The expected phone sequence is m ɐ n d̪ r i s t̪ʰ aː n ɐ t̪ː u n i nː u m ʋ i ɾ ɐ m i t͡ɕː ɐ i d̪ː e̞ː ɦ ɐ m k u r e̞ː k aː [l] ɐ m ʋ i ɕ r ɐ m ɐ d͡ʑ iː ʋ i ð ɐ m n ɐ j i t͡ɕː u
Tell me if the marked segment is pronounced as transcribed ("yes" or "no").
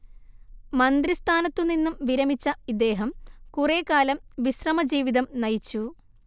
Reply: yes